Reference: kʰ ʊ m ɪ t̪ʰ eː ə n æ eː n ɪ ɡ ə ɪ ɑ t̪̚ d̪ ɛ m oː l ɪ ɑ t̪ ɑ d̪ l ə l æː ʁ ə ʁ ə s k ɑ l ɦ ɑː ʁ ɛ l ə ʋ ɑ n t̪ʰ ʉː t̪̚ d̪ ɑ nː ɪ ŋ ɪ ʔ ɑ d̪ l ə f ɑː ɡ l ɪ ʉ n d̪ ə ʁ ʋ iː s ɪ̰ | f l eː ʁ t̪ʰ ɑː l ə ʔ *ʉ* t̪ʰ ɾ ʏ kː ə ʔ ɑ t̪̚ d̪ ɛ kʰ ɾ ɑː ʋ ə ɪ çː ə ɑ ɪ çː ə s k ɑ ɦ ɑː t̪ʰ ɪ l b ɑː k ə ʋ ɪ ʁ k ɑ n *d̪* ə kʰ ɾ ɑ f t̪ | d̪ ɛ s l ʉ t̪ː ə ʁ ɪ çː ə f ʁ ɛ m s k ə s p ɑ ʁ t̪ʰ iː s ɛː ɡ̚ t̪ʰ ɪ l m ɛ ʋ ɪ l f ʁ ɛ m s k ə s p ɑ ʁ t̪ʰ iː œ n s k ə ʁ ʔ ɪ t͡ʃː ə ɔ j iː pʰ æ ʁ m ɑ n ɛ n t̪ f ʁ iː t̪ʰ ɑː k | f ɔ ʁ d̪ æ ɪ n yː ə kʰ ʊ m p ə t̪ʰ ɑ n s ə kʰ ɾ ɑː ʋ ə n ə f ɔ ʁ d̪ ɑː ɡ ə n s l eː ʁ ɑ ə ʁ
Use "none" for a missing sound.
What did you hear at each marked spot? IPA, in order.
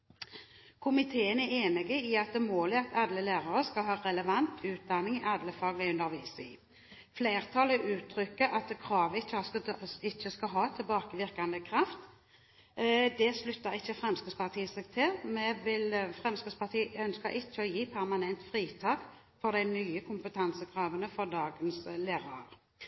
ʉː, d̪

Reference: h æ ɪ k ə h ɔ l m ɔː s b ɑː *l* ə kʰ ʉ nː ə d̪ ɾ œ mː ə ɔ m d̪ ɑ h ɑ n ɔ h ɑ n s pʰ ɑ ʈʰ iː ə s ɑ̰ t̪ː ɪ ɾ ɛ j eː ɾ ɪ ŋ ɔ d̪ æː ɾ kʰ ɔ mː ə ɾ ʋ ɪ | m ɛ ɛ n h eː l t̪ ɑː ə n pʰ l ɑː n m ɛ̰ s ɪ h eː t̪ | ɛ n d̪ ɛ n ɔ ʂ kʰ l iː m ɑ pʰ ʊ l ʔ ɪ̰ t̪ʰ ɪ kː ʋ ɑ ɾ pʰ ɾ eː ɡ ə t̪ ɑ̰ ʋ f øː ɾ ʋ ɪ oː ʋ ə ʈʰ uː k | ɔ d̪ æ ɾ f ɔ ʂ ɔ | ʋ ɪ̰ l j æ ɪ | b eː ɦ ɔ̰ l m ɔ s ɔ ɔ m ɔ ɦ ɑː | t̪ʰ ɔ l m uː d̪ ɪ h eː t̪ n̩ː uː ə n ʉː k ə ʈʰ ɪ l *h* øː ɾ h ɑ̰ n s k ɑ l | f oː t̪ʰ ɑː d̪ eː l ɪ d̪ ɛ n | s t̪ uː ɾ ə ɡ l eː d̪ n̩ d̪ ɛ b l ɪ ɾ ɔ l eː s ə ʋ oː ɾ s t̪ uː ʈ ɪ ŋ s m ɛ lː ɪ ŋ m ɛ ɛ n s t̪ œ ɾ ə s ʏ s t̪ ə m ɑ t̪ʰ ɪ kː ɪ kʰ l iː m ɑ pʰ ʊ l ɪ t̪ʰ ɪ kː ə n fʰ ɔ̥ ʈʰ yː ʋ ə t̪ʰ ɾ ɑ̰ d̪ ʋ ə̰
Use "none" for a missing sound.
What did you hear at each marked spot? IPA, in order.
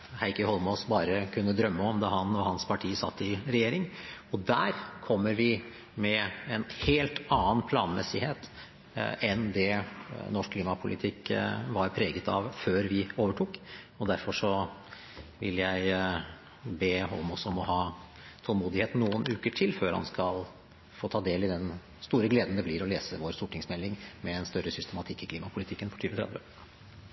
ɾ, f

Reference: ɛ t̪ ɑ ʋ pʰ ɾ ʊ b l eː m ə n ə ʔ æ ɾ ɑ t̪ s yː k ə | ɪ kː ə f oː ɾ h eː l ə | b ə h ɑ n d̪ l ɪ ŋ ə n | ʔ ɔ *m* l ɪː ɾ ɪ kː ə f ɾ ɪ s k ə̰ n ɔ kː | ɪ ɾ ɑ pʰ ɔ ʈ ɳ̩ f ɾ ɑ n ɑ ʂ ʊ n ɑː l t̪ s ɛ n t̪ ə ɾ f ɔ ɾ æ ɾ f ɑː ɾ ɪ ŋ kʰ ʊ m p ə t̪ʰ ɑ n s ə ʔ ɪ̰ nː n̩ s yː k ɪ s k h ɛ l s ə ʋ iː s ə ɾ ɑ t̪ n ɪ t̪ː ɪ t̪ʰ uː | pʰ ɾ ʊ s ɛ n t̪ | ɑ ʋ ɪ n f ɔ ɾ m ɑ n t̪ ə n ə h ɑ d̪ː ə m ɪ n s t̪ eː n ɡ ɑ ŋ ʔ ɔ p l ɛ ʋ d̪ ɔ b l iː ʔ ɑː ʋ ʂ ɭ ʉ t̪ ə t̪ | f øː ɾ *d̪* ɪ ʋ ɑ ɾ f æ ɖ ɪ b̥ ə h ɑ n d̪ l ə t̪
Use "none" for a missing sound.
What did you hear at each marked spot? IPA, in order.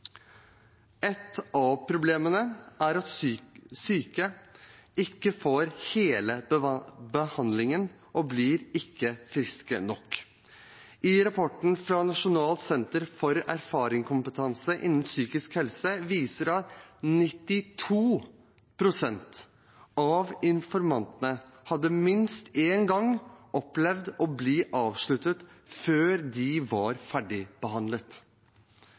b, d̪

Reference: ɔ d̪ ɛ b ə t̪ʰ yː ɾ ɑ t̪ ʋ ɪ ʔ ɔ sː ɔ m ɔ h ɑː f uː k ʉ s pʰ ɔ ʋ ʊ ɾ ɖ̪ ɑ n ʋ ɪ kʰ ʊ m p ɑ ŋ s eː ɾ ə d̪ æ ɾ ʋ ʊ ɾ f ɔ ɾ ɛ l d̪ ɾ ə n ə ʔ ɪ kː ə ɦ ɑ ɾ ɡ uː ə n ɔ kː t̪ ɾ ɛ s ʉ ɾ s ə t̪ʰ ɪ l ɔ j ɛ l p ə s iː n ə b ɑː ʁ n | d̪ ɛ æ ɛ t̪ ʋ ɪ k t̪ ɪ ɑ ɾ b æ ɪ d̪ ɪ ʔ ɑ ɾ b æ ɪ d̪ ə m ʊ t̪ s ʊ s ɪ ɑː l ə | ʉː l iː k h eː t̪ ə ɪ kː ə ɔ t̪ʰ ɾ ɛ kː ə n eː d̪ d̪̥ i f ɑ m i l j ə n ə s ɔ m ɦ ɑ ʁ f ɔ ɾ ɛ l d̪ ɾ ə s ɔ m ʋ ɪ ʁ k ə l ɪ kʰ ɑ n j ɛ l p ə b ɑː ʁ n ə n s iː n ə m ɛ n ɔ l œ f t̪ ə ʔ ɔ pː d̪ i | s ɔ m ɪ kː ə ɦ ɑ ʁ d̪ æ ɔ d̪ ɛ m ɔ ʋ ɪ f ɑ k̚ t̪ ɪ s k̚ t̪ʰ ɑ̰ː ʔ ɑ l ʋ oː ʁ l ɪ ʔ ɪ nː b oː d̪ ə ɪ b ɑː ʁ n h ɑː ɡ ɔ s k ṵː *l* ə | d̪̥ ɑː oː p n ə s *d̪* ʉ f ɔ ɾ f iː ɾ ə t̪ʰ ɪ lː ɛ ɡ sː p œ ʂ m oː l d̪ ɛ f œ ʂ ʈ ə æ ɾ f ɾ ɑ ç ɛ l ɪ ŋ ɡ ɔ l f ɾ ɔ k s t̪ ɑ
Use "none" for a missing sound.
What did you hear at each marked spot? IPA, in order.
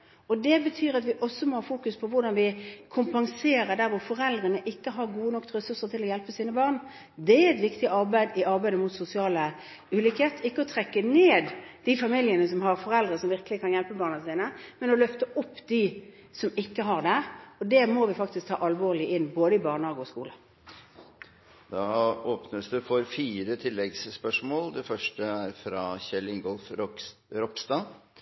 l, d̪

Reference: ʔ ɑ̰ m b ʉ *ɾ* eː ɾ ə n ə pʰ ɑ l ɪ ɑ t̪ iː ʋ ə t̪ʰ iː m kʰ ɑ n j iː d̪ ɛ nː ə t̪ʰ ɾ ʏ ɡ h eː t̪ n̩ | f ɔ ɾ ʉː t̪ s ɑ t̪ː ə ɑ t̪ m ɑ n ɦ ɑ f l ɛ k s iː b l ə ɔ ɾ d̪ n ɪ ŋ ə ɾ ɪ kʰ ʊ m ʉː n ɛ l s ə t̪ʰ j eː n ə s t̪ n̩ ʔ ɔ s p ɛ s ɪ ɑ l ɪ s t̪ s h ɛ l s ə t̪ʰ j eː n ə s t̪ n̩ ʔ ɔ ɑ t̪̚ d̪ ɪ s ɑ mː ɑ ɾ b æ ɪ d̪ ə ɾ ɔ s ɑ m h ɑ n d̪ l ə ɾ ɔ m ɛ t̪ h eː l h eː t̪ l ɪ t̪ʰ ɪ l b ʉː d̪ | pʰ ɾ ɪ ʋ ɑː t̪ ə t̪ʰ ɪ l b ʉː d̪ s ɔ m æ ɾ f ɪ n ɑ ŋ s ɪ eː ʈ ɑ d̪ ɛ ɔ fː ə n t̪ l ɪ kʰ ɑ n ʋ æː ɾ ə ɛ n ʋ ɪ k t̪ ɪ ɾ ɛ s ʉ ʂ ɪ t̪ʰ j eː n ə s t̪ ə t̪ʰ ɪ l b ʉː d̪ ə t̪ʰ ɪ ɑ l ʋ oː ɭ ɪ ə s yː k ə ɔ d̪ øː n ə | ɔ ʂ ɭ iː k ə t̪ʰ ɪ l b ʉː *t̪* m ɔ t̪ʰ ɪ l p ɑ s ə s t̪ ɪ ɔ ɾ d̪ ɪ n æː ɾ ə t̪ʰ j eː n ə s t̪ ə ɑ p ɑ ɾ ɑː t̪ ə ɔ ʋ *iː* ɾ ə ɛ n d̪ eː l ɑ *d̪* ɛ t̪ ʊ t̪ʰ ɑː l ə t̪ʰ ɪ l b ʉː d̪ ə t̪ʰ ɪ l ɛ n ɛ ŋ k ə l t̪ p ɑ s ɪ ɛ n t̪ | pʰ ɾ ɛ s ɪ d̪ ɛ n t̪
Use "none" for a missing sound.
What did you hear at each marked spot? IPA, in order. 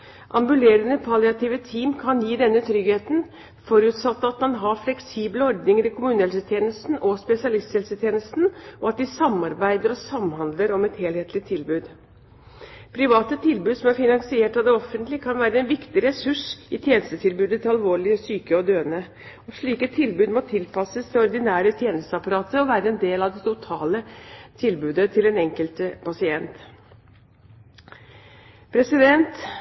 l, d̪, æː, d̪

